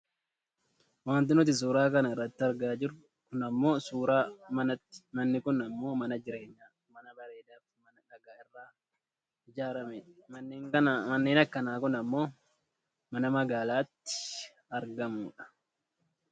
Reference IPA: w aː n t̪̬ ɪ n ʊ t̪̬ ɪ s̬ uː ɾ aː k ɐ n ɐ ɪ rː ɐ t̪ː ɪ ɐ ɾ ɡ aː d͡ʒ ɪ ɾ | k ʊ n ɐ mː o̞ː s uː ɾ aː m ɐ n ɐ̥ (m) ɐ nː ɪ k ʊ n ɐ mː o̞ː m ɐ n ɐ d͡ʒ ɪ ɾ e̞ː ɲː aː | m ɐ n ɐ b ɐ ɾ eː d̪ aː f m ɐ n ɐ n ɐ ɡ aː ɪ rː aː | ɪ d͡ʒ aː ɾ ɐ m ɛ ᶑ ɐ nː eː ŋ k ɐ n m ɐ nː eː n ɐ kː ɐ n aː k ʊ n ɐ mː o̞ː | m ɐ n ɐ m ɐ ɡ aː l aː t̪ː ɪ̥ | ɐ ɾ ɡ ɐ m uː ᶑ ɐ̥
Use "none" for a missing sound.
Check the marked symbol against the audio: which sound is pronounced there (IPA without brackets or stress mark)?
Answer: m